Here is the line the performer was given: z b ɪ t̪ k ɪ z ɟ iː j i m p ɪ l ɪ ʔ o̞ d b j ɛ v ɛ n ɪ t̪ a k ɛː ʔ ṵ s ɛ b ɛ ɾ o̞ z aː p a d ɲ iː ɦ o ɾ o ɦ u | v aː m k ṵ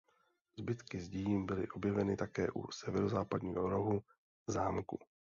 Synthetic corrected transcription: z b ɪ t̪ k ɪ z ɟ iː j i m b ɪ l ɪ ʔ o̞ b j ɛ v ɛ n ɪ t̪ a k ɛː ʔ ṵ s ɛ v ɛ ɾ o̞ z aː p a d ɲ iː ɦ o ɾ o ɦ u | z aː m k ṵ